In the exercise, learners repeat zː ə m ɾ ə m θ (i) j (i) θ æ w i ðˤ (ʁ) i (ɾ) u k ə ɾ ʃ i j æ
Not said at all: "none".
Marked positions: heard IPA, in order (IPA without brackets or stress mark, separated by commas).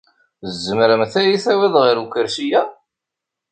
æ, i, ʁ, ɾ